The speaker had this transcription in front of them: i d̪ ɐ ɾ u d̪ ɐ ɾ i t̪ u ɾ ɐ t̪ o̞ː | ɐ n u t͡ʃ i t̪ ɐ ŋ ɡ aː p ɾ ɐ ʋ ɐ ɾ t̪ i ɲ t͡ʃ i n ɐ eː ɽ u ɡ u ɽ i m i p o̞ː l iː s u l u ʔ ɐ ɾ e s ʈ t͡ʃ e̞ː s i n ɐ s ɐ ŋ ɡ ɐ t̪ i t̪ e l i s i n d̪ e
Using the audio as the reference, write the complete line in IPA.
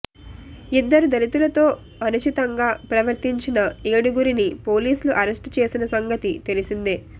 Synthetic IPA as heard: i d̪ː ɐ ɾ u d̪ ɐ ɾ i t̪ u l ɐ t̪ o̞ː | ɐ n u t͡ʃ i t̪ ɐ ŋ ɡ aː p ɾ ɐ ʋ ɐ ɾ t̪ i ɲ t͡ʃ i n ɐ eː ɽ u ɡ u ɾ i n i p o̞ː l iː s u l u ʔ ɐ ɾ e s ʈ t͡ʃ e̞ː s i n ɐ s ɐ ŋ ɡ ɐ t̪ i t̪ e l i s i n d̪ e